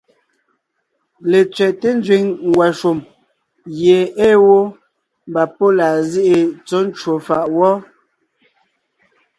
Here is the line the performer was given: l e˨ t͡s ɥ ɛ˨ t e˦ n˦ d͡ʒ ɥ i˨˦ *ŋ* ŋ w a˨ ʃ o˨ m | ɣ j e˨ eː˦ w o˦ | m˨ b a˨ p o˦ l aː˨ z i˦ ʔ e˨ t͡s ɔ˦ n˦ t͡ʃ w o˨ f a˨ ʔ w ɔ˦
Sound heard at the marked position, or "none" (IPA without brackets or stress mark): ŋ